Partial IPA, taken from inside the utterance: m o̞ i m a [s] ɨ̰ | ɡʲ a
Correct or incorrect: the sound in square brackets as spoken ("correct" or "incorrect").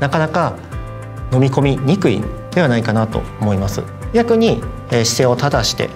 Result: correct